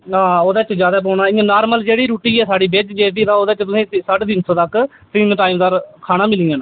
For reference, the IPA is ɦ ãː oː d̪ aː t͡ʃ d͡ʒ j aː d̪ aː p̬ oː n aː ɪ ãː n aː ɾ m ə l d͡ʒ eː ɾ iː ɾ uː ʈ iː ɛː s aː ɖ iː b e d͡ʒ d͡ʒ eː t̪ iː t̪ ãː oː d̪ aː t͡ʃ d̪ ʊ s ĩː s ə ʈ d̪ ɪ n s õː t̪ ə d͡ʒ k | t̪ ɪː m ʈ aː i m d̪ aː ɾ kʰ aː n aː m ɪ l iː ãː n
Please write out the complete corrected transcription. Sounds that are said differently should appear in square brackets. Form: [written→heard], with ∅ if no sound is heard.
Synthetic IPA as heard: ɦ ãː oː d̪ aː t͡ʃ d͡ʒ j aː d̪ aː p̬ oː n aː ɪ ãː n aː ɾ m ə l d͡ʒ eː [ɾ→ɽ] iː ɾ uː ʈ iː ɛː s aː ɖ iː b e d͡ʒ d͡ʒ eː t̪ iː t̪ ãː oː d̪ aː t͡ʃ [d̪→t̪] ʊ s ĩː s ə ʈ d̪ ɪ n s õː t̪ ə [d͡ʒ→∅] k | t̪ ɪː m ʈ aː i m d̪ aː ɾ kʰ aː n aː m ɪ l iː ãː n